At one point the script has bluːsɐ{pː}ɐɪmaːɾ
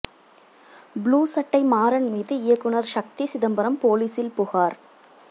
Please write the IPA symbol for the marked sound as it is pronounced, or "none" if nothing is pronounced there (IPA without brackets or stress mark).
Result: ʈː